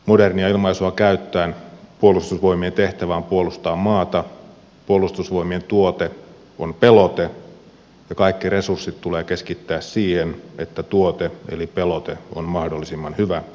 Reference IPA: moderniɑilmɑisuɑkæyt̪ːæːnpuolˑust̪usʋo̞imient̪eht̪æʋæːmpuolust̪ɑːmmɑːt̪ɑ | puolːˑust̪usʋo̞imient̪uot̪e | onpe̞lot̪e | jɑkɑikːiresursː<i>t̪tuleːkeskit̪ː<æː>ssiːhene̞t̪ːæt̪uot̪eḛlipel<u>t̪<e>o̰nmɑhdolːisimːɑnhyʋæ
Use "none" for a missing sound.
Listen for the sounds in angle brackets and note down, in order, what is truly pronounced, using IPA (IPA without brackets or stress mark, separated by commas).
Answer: i, æː, o, e